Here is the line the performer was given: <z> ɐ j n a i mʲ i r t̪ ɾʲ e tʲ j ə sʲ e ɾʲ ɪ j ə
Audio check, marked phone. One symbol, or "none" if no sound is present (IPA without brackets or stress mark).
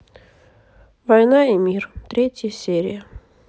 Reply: v